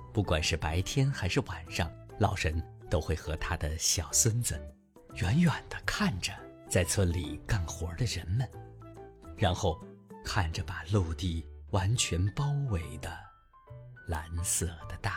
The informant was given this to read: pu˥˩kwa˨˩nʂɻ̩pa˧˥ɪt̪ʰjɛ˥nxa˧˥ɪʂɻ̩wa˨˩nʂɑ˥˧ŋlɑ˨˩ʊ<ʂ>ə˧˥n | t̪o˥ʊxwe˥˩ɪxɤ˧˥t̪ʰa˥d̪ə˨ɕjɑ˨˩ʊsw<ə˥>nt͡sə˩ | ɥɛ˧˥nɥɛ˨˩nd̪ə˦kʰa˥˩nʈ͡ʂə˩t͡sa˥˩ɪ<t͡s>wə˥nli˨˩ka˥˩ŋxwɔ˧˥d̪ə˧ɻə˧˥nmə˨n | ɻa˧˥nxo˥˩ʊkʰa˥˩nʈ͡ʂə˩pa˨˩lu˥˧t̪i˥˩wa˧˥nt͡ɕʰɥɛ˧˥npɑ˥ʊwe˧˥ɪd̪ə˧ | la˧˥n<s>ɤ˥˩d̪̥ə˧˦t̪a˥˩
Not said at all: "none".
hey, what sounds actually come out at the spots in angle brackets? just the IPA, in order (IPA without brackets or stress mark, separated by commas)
ʂ, ə˥, t͡sʰ, s